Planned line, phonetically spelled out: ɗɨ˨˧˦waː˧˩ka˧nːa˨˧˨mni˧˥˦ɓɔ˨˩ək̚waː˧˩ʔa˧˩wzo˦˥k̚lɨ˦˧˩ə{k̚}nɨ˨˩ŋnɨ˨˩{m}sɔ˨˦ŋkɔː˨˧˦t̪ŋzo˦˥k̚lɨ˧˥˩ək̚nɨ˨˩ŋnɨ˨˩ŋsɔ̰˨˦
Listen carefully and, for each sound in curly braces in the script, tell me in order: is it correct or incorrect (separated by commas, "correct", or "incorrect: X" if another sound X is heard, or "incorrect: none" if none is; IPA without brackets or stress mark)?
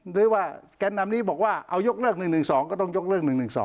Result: correct, incorrect: ŋ